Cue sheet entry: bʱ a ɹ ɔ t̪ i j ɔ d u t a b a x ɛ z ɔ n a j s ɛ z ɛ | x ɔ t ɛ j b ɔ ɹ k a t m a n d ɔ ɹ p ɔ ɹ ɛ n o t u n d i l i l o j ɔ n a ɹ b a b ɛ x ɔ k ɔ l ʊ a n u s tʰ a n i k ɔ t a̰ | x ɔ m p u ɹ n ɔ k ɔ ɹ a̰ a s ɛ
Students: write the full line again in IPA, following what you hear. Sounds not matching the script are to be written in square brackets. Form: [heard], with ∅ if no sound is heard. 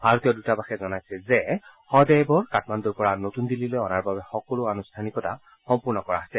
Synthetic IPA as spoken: bʱ a ɹ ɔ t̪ i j ɔ d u t a b a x ɛ z ɔ n a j s ɛ z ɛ | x ɔ [d] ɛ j b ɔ ɹ k a t m a n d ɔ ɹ p ɔ ɹ [a] n o t u n d i l i l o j ɔ n a ɹ b a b ɛ x ɔ k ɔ l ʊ a n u s tʰ a n i k ɔ t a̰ | x ɔ m p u ɹ n ɔ k ɔ ɹ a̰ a s ɛ